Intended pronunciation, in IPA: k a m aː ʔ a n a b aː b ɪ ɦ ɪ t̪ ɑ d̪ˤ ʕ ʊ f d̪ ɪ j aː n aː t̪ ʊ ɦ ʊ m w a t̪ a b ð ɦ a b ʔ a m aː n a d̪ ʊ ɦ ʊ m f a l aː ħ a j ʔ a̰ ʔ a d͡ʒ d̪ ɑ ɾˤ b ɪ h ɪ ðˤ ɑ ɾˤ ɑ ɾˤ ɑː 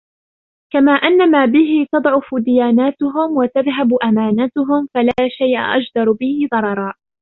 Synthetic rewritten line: k a m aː ʔ a nː a m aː b ɪ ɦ ɪ t̪ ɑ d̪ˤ ʕ ʊ f d̪ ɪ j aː n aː t̪ ʊ ɦ ʊ m w a t̪ a ð ɦ a b ʔ a m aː n a t̪ ʊ ɦ ʊ m f a l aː ʃ a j ʔ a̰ ʔ a d͡ʒ d̪ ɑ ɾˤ b ɪ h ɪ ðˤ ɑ ɾˤ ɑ ɾˤ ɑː

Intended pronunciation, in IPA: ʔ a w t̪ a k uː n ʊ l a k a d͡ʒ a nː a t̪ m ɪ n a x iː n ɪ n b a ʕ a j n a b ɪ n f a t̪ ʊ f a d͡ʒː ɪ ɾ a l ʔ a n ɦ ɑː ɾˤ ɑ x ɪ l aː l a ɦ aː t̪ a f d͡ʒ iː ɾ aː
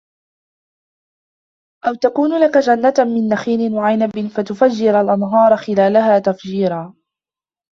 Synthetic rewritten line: ʔ a w t̪ a k uː n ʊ l a k a d͡ʒ a nː a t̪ m ɪ nː a x iː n ɪ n w a ʕ a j n a b ɪ n f a t̪ ʊ f a d͡ʒː ɪ ɾ a l ʔ a n ɦ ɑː ɾˤ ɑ x ɪ l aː l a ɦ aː t̪ a f d͡ʒ iː ɾ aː

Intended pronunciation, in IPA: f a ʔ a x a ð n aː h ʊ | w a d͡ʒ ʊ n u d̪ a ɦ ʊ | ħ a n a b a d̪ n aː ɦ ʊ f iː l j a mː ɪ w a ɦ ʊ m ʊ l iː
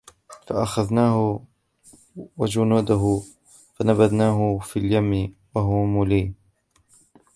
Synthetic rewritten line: f a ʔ a x a ð n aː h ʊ | w a d͡ʒ ʊ n uː d̪ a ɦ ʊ | f a n a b a d̪ n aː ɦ ʊ f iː l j a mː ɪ w a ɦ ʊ m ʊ l iː

